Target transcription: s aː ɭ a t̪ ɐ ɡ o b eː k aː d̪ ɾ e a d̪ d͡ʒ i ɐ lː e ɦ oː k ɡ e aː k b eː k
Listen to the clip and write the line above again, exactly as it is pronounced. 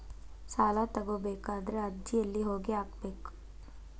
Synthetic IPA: s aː l a t̪ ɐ ɡ o b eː k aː d̪ ɾ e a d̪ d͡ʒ i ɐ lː i ɦ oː ɡ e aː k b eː k